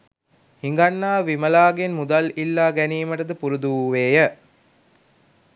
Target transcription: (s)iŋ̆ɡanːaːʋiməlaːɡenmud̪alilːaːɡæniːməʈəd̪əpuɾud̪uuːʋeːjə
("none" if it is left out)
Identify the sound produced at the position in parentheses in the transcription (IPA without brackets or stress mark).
h